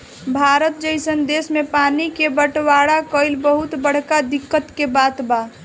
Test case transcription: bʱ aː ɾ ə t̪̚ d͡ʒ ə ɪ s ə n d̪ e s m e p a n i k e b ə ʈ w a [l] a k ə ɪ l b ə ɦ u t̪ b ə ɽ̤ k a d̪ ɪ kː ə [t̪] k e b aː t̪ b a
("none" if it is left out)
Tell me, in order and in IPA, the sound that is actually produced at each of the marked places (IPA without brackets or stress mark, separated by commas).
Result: ɽ, t̪